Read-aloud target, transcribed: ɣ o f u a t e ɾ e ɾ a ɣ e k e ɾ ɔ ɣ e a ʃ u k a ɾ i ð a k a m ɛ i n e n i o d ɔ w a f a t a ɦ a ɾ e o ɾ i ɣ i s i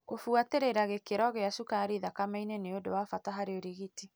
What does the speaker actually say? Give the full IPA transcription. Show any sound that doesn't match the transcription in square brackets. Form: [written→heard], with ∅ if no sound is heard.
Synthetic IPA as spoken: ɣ o f u a t e ɾ e ɾ a ɣ e k e ɾ ɔ ɣ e a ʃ u k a ɾ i ð a k a m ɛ i n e n [i→e] o d [ɔ→o] w a f a t a ɦ a ɾ e o ɾ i ɣ i [s→t] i